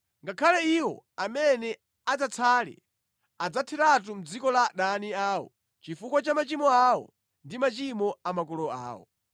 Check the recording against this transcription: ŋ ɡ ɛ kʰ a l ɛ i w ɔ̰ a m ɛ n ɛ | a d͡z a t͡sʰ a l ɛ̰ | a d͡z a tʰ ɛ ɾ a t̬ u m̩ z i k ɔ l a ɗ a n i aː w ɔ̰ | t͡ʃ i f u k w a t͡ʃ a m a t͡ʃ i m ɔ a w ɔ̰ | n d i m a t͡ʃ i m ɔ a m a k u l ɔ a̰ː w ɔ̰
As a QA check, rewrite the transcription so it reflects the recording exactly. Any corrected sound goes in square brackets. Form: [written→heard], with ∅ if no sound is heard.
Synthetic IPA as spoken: ŋ ɡ [ɛ→a] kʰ a l ɛ i w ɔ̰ a m ɛ n ɛ | a d͡z a t͡sʰ a l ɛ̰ | a d͡z a tʰ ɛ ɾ a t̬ u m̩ [z→d͡z] i k ɔ l a ɗ a n i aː w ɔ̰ | t͡ʃ i f u k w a t͡ʃ a m a t͡ʃ i m ɔ a w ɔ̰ | n d i m a t͡ʃ i m ɔ a m a k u l ɔ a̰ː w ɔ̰